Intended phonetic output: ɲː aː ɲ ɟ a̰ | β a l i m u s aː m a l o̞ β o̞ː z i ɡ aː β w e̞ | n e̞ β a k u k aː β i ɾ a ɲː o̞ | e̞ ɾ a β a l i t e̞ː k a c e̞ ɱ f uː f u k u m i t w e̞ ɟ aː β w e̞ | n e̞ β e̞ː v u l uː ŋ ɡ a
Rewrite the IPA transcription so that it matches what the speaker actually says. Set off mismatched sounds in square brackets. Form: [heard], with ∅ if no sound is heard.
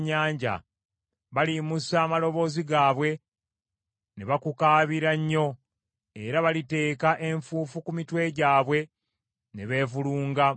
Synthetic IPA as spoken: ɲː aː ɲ ɟ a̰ | β a l i m u s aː m a l o̞ β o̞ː z i ɡ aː β w e̞ | n e̞ β a k u k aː β i ɾ a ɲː o̞ | e̞ ɾ a β a l i t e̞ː k a [ʔ] e̞ ɱ f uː f u k u m i t w e̞ ɟ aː β w e̞ | n e̞ β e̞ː v u l uː ŋ ɡ a